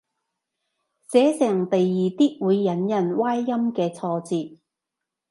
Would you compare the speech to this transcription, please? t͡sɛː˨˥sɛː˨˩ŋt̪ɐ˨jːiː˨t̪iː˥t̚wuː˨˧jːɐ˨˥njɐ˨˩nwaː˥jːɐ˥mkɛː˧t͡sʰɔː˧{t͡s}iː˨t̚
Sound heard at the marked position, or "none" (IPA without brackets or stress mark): t͡s